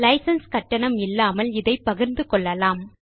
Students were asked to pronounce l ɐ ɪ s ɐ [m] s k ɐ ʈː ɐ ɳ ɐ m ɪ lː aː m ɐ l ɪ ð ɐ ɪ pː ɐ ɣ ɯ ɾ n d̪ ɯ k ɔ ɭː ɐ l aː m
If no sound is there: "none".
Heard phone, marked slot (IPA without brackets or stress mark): n